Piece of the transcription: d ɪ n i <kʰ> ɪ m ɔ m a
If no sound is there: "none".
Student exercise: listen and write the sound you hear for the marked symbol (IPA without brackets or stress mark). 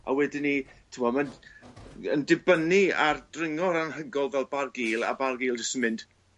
tʰ